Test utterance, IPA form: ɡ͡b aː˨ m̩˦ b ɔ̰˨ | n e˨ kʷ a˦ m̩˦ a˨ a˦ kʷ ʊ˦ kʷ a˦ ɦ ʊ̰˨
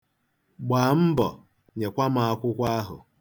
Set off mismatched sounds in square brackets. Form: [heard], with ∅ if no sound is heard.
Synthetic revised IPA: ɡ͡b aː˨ m̩˦ b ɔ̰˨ | [ɲ] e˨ kʷ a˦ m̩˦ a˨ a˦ kʷ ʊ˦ kʷ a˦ ɦ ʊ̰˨